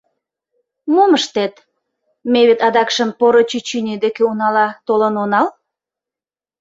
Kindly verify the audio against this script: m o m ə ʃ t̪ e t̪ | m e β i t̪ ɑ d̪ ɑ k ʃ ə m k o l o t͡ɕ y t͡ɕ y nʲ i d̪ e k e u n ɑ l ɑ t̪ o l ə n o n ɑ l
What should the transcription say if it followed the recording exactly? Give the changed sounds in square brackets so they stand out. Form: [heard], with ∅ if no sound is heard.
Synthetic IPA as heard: m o m ə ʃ t̪ e t̪ | m e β [e] t̪ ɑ d̪ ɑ k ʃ ə m [p] o [ɾ] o t͡ɕ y t͡ɕ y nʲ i d̪ e k e u n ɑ l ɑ t̪ o l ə n o n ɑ l